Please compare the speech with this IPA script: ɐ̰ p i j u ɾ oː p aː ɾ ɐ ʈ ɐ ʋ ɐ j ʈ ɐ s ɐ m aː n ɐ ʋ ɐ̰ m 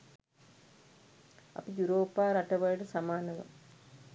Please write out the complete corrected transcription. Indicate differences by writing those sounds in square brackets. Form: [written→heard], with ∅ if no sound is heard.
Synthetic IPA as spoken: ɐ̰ p i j u ɾ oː p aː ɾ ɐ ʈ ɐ ʋ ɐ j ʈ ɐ s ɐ m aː n ɐ ʋ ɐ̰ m